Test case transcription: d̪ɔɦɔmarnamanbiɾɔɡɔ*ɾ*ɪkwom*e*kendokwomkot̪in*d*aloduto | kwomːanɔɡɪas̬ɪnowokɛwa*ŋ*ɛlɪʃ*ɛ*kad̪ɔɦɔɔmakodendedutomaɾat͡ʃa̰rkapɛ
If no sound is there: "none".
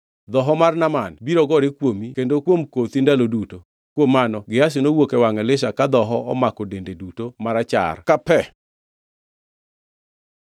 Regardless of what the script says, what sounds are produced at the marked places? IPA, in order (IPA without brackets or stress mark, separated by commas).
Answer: ɾ, i, d, ŋ, a